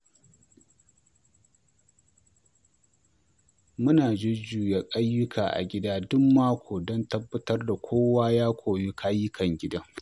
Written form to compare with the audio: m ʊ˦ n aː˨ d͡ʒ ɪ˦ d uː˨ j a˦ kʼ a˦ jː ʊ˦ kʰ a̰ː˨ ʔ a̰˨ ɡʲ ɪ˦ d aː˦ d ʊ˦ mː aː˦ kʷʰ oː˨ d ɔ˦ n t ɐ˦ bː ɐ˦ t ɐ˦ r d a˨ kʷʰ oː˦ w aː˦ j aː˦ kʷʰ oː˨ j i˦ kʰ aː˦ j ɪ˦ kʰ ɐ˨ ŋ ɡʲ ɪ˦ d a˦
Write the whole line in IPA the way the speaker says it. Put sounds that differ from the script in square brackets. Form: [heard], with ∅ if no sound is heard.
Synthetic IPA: m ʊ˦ n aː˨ d͡ʒ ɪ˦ [d͡ʒ] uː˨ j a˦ kʼ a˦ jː ʊ˦ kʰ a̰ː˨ ʔ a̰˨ ɡʲ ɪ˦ d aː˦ d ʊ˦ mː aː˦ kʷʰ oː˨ d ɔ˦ n t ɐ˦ bː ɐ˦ t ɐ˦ r d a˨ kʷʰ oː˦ w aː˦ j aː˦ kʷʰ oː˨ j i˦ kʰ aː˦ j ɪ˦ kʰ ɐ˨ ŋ ɡʲ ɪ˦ d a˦